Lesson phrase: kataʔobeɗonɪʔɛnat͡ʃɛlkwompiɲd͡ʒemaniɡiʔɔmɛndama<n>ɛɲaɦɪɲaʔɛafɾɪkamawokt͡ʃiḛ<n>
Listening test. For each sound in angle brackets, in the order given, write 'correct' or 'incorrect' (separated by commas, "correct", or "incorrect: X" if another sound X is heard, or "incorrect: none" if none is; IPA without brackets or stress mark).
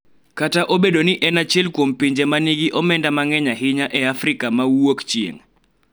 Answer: incorrect: ŋ, incorrect: ŋ